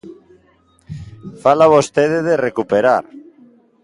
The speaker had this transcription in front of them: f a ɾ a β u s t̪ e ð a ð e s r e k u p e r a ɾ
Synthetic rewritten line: f a l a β o s t̪ e ð e ð e r e k u p e ɾ a ɾ